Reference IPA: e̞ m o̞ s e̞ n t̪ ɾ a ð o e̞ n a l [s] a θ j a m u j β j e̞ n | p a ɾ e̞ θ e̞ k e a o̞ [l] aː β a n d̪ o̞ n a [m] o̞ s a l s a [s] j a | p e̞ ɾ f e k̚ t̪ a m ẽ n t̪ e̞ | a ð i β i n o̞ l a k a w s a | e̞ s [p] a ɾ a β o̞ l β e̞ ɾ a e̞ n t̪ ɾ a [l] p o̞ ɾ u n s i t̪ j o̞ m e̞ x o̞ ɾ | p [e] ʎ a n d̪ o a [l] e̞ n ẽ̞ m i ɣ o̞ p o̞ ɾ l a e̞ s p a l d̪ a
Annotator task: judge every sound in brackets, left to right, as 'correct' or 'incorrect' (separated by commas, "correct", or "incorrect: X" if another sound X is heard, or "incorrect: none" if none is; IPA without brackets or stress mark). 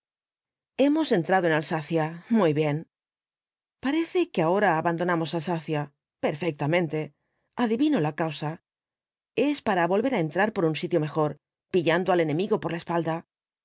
correct, incorrect: ɾ, correct, incorrect: θ, correct, incorrect: ɾ, incorrect: i, correct